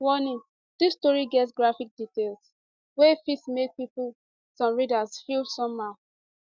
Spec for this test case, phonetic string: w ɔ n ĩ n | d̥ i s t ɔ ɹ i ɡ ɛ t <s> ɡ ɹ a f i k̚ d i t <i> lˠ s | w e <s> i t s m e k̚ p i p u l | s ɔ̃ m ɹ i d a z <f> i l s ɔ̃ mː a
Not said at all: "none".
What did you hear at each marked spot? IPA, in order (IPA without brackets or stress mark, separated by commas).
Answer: s, e, f, f